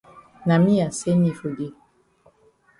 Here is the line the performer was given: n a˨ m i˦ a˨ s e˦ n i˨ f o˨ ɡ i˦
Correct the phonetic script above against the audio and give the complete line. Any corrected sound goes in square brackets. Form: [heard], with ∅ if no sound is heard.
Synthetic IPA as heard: n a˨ m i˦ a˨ s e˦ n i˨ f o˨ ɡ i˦